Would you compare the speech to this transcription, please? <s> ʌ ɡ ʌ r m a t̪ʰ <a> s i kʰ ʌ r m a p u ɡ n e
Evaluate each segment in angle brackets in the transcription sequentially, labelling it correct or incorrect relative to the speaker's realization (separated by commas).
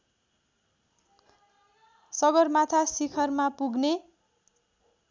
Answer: correct, correct